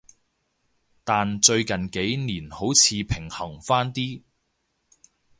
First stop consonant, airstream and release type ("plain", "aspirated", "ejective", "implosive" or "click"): plain